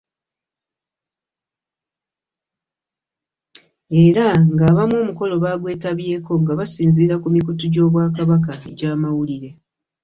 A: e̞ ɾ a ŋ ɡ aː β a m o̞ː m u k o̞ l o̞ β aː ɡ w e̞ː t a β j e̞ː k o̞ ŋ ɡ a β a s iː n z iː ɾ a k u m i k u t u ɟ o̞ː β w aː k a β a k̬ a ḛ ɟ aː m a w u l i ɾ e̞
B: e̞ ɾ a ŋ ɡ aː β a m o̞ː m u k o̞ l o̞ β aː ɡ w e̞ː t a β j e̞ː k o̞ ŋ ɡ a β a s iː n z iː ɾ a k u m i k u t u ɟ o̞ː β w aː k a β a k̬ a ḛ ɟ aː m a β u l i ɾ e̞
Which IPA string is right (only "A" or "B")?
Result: A